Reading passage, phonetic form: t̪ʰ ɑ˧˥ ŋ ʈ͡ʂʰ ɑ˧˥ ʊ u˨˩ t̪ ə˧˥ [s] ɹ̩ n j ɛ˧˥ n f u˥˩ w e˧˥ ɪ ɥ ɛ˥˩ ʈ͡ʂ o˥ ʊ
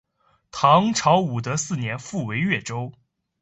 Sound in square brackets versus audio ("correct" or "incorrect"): correct